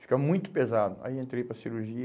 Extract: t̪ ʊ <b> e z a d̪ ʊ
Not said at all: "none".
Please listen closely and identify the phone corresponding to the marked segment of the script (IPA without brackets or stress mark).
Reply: p